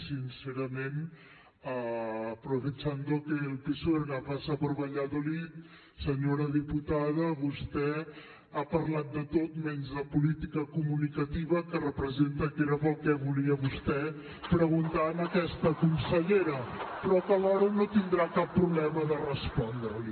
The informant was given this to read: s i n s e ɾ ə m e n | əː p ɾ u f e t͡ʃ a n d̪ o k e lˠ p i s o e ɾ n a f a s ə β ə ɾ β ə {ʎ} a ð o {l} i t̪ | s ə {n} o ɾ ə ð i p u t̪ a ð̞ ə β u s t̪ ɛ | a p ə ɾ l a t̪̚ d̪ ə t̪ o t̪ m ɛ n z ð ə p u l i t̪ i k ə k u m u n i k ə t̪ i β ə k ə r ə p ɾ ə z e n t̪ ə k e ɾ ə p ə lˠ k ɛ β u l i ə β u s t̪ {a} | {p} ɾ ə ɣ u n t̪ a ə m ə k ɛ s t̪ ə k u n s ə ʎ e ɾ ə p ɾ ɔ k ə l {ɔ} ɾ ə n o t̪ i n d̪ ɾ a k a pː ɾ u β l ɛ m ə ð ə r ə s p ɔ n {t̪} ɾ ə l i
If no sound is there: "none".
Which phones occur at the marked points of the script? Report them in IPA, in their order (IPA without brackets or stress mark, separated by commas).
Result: ʎ, l, ɲ, ɛ, p, ɔ, d̪